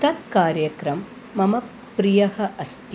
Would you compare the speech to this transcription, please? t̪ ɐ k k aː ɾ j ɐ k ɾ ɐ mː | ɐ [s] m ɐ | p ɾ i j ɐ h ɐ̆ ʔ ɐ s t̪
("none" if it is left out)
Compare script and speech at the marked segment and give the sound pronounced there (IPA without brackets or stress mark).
none